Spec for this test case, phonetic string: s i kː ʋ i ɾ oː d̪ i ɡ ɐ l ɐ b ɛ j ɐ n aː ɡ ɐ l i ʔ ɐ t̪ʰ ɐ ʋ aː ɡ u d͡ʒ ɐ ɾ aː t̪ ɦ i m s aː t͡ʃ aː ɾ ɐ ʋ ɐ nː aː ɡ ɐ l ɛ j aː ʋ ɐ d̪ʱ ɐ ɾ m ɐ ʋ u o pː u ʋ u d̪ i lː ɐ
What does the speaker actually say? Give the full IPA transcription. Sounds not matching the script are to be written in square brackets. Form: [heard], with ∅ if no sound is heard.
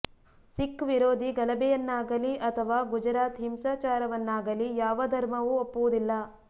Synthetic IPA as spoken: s i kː ʋ i ɾ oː d̪ i ɡ ɐ l ɐ b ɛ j ɐ [nː] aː ɡ ɐ l i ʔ ɐ t̪ʰ ɐ ʋ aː ɡ u d͡ʒ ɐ ɾ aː t̪ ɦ i m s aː t͡ʃ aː ɾ ɐ ʋ ɐ nː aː ɡ ɐ l [i] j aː ʋ ɐ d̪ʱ ɐ ɾ m ɐ ʋ u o pː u ʋ u d̪ i lː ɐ